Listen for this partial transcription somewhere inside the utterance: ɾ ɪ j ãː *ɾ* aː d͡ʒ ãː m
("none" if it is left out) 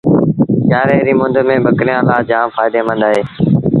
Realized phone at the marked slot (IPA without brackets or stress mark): l